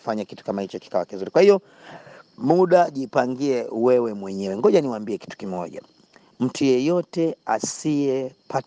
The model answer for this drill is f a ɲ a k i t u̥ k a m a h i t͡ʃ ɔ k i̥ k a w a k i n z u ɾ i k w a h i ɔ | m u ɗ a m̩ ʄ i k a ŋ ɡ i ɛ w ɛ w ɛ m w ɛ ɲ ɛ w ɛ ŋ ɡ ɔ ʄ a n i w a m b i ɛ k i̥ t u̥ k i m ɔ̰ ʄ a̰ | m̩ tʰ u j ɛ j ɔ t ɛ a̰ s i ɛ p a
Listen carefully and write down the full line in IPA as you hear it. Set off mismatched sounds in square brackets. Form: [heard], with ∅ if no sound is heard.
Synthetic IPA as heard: f a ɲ a k i t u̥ k a m a h i t͡ʃ ɔ k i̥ k a w a k i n z u ɾ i k w a h i ɔ | m u ɗ a [∅] ʄ i [p] a ŋ ɡ i ɛ w ɛ w ɛ m w ɛ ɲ ɛ w ɛ ŋ ɡ ɔ ʄ a n i w a m b i ɛ k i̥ t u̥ k i m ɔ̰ ʄ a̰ | m̩ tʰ u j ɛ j ɔ t ɛ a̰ s i ɛ p a